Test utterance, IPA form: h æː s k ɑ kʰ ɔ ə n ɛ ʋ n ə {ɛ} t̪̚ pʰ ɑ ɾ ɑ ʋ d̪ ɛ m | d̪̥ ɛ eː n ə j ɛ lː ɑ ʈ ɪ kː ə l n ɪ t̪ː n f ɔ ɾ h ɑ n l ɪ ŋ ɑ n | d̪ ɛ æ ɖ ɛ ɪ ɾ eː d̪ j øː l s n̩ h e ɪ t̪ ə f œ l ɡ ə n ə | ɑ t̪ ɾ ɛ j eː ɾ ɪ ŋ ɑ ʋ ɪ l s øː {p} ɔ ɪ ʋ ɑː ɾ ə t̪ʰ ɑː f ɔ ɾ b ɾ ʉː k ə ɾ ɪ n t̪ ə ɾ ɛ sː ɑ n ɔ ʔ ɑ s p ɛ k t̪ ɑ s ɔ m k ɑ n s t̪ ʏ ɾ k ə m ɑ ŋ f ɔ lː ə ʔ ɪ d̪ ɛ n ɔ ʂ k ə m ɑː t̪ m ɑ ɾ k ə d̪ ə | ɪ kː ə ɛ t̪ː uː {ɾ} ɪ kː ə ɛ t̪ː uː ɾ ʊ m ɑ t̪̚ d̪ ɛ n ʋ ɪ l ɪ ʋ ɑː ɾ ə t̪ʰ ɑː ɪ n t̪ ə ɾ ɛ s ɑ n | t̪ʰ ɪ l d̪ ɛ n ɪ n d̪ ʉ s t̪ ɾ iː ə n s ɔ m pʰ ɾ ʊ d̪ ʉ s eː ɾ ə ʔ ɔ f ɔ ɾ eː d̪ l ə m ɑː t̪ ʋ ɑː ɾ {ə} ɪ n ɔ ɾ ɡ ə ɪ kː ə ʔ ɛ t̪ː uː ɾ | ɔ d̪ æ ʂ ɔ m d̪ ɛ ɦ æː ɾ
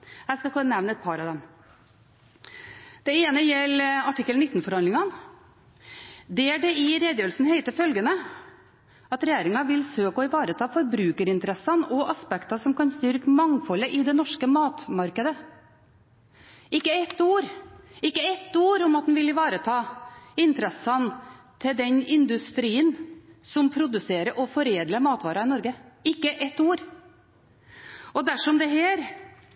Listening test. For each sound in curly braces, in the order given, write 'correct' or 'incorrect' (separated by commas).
correct, incorrect, correct, incorrect